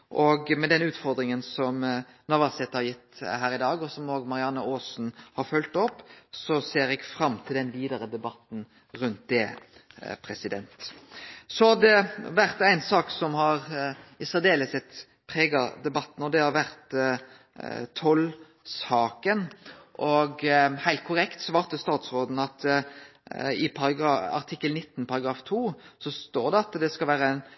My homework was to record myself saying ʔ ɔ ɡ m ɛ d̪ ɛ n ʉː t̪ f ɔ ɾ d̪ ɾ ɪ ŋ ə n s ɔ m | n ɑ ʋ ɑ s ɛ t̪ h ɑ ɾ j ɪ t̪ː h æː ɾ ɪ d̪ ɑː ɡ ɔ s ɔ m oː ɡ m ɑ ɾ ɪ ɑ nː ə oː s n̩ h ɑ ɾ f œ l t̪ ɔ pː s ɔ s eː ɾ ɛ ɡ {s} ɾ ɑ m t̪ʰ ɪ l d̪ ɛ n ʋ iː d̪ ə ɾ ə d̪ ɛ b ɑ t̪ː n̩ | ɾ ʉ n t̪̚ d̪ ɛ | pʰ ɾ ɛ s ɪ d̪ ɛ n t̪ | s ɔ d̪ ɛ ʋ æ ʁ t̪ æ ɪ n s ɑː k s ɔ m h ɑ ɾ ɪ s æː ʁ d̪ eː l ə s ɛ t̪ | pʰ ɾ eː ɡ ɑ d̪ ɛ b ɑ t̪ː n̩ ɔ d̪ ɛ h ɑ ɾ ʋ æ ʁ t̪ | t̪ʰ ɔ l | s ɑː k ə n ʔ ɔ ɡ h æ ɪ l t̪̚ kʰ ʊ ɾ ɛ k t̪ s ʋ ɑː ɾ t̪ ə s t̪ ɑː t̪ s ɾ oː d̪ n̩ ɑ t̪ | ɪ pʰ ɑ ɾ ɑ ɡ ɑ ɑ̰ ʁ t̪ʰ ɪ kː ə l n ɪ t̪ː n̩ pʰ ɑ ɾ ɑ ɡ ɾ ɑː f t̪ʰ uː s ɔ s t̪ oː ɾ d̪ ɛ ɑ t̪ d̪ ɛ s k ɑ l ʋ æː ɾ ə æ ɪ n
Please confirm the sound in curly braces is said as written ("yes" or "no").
no